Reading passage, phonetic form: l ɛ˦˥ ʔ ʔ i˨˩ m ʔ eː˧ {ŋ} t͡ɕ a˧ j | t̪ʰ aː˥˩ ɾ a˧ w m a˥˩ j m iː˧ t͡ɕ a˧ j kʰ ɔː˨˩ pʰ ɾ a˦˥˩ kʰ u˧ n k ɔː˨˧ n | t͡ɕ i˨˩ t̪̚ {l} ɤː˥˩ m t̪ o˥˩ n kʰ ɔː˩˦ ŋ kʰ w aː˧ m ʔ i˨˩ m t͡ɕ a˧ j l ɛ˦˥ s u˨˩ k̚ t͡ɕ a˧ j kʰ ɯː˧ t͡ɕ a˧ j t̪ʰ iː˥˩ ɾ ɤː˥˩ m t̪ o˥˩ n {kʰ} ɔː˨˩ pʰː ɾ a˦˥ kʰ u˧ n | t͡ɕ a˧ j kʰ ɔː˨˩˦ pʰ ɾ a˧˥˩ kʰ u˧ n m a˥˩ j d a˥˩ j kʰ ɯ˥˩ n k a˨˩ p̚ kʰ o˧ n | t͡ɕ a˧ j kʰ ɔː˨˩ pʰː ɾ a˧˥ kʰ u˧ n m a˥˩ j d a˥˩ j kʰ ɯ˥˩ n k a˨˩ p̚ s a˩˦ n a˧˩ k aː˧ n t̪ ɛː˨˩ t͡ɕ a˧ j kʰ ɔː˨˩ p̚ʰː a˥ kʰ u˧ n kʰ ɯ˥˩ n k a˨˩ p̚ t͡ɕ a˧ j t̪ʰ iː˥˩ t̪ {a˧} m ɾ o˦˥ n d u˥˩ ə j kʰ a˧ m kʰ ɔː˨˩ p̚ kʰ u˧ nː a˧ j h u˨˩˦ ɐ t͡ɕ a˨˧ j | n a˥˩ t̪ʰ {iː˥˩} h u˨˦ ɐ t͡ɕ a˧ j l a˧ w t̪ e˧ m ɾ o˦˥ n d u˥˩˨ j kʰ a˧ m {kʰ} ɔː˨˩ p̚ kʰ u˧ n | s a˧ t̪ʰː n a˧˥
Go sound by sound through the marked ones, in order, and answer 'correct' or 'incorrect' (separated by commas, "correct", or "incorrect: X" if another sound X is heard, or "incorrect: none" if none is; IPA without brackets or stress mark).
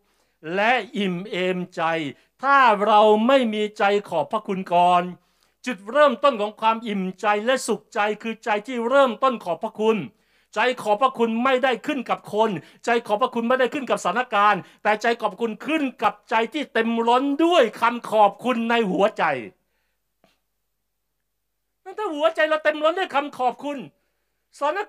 incorrect: m, incorrect: ɾ, correct, incorrect: e˧, incorrect: aː˥˩, correct